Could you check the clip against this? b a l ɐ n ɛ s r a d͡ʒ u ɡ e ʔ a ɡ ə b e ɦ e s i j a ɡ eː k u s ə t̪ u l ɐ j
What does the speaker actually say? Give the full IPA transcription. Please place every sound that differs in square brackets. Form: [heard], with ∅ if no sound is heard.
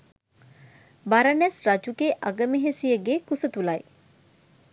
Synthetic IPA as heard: b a [ɾ] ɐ n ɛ s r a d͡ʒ u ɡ e ʔ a ɡ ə [m] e ɦ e s i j [ə] ɡ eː k u s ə t̪ u l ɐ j